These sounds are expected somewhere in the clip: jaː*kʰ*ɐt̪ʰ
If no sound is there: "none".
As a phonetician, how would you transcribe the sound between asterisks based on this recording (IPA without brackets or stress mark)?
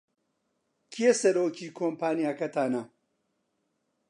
k